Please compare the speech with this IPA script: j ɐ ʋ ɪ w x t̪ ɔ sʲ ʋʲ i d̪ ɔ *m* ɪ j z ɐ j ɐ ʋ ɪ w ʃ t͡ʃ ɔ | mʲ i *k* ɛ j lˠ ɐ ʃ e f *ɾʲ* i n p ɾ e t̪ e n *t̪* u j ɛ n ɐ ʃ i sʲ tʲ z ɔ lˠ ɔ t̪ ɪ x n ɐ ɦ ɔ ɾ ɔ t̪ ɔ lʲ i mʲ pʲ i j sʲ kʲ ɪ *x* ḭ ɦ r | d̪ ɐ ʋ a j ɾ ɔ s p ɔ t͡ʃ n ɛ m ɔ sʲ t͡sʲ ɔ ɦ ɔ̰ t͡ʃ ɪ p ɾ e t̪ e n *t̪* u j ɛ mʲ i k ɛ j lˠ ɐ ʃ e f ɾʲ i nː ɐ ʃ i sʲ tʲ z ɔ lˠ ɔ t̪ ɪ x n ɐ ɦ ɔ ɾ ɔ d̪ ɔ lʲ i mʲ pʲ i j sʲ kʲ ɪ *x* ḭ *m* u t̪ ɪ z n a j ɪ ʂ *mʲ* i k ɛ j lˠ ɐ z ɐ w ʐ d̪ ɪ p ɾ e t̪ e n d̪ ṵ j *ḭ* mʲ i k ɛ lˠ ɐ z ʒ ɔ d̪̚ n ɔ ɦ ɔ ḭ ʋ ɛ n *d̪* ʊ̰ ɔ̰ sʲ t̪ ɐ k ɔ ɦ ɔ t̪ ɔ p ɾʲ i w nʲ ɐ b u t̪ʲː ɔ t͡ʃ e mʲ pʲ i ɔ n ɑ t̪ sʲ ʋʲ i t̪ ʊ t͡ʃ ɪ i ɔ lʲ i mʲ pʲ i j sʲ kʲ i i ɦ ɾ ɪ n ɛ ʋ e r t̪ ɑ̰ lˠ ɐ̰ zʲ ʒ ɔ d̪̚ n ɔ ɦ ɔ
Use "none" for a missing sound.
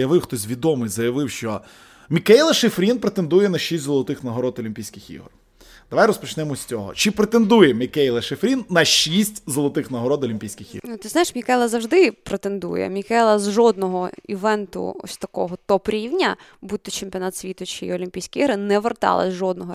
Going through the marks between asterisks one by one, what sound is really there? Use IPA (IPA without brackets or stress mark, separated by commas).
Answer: m, k, ɾʲ, d̪, x, d̪, x, n, mʲ, ɛ̰, t̪